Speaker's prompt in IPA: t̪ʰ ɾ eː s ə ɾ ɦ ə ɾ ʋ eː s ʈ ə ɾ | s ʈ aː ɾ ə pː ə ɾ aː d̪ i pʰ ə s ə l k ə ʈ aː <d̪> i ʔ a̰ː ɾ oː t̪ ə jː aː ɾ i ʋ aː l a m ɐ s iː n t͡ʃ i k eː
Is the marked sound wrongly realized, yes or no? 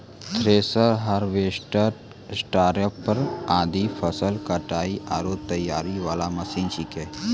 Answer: yes